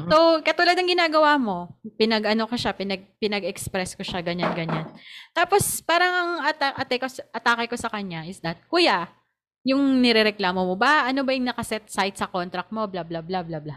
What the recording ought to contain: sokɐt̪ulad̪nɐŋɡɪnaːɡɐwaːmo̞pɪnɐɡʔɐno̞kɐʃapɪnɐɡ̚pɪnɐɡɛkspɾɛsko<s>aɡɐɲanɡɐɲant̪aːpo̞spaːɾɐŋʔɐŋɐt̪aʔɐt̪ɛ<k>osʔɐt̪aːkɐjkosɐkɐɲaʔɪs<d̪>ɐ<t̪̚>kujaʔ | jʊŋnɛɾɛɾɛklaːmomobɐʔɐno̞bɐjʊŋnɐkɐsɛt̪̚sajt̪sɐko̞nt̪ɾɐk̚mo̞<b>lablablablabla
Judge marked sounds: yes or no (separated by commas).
no, yes, yes, yes, yes